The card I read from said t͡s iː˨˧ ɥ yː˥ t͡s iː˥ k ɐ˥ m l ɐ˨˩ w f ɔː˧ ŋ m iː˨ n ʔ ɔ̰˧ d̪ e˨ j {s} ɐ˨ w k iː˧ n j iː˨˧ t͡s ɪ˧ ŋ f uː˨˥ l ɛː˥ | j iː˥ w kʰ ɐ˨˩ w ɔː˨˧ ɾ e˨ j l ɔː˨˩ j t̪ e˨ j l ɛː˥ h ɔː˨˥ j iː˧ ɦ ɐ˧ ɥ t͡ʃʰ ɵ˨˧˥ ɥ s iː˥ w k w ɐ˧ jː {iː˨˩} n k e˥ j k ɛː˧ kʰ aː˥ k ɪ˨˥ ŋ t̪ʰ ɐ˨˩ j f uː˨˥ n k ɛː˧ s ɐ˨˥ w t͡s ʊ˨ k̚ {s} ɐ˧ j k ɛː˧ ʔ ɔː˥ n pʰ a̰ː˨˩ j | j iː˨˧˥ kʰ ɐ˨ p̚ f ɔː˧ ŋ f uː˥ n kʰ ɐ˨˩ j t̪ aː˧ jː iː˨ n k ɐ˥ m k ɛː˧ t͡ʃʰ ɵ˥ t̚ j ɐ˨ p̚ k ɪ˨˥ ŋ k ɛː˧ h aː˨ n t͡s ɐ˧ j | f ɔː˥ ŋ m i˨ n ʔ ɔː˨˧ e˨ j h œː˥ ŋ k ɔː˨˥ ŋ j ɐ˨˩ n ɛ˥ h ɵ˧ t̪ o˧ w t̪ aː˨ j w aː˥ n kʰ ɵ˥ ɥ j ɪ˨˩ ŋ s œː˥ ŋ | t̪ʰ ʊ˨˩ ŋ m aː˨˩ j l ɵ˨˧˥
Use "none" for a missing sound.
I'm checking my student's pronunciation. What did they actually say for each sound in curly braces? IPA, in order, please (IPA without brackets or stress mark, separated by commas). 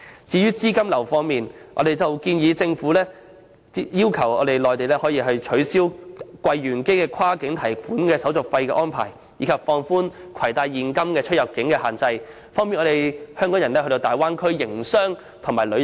t͡s, yː˨˩, f